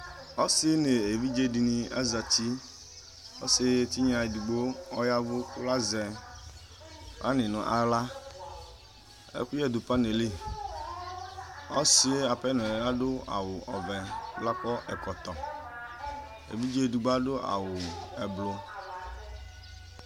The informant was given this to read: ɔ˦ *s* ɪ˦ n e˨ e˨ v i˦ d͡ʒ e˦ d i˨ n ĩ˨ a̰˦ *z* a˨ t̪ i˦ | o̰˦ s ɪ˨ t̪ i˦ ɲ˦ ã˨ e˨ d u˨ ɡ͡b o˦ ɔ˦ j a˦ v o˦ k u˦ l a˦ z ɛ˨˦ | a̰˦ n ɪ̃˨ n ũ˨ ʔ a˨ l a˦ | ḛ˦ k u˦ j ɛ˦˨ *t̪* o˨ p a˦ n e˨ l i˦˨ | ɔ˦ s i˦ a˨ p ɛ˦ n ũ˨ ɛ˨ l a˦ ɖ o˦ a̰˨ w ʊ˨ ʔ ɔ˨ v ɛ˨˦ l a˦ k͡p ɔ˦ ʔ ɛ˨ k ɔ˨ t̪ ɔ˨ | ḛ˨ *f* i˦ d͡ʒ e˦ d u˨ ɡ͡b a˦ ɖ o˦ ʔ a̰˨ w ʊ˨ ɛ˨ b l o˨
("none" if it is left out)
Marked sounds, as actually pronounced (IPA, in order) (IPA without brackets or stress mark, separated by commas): s, z, d̪, v